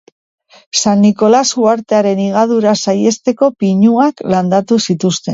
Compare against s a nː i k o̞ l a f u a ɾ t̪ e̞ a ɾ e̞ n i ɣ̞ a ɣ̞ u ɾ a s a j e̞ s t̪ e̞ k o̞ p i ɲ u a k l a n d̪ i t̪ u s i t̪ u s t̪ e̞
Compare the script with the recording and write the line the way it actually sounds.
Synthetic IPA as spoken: s a nː i k o̞ l a s u a ɾ t̪ e̞ a ɾ e̞ n i ɣ̞ a ð̞ u ɾ a s a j e̞ s t̪ e̞ k o̞ p i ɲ u a k l a n d̪ a t̪ u s i t̪ u s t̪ e̞